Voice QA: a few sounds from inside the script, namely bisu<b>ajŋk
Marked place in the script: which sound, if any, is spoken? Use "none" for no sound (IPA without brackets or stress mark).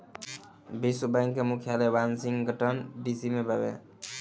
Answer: b